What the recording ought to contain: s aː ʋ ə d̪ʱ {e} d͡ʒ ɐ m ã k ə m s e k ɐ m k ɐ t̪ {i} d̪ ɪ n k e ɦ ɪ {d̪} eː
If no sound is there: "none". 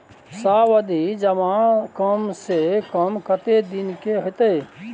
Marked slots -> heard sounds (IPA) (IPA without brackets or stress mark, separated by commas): i, e, t̪